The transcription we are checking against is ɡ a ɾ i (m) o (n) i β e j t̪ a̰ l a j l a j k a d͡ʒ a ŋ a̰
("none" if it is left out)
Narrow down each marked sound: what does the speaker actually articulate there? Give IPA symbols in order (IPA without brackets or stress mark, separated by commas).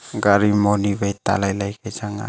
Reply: m, n